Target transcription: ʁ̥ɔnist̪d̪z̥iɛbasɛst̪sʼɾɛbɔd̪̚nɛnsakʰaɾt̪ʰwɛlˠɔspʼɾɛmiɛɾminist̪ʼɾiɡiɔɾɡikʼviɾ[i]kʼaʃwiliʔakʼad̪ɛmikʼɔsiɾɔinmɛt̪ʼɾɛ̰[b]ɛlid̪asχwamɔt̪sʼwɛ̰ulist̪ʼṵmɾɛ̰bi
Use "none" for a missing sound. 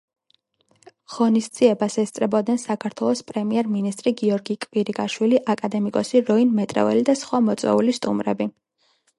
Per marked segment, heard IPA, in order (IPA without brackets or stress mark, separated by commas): i, v